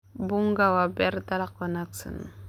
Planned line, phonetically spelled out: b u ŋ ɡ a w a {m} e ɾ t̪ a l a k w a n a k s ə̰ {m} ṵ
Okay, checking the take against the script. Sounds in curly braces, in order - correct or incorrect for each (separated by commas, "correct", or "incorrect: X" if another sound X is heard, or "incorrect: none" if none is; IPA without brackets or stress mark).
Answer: incorrect: b, incorrect: n